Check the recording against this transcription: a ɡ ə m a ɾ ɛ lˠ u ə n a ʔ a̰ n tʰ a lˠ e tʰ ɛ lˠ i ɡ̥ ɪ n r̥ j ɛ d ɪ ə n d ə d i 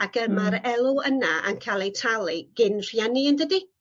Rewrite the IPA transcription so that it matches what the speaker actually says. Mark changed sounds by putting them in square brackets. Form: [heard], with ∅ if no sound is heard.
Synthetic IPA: a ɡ ə m a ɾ ɛ lˠ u ə n a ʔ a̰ n [kʰ] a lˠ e tʰ [a] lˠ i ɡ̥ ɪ n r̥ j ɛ [n] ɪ ə n d ə d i